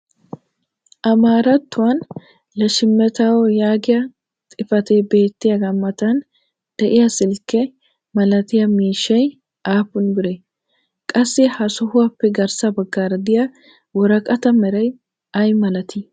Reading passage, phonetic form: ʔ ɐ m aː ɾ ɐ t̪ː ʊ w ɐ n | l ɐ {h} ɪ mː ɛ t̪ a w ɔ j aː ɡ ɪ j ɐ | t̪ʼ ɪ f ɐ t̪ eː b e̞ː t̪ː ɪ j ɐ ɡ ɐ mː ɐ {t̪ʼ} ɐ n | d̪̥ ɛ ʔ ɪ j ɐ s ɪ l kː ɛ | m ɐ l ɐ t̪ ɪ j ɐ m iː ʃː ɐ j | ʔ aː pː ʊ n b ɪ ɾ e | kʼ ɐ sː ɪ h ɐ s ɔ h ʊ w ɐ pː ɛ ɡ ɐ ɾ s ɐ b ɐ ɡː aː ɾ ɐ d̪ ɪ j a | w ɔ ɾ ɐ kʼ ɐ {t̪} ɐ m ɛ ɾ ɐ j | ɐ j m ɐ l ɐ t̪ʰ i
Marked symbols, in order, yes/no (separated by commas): no, no, yes